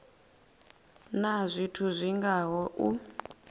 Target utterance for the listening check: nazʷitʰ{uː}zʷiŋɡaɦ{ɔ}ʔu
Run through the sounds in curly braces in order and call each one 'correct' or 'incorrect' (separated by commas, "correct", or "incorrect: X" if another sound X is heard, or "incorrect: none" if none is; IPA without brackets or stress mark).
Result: incorrect: u, correct